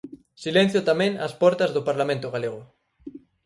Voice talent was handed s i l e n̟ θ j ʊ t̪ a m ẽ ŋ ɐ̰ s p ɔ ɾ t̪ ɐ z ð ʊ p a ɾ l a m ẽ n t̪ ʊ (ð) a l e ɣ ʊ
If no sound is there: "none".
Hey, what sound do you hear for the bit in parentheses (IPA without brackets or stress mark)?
ɣ